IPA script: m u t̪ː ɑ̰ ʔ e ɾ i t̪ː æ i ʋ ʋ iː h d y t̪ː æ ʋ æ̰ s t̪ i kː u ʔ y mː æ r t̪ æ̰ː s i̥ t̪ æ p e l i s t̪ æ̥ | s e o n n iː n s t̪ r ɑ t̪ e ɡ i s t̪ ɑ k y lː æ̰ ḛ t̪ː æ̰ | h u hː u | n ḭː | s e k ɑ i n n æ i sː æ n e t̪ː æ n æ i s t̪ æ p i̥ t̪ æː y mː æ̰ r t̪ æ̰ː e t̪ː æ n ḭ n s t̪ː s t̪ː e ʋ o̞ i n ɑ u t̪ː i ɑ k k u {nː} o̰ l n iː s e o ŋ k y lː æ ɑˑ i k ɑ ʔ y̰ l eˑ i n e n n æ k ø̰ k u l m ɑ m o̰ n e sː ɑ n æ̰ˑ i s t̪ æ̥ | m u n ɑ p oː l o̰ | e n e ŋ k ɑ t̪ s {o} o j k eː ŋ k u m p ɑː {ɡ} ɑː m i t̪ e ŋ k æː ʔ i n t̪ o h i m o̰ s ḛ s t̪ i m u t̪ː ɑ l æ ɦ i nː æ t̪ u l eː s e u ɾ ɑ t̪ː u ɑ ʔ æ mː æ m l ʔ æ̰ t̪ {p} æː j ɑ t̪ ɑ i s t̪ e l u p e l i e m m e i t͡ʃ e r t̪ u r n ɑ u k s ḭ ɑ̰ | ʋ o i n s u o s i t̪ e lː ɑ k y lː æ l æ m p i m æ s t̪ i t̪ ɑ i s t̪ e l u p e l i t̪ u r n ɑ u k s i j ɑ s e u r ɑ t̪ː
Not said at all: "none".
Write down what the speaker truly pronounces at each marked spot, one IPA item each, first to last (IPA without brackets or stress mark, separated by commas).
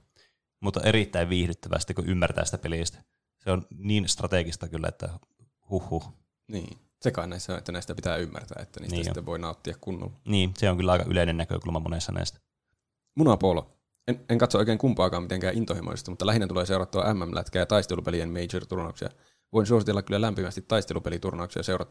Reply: nː, o, k, k